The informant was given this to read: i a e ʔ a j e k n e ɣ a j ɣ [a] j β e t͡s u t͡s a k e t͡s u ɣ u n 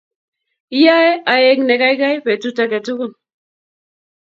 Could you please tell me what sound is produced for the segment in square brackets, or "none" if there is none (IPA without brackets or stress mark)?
a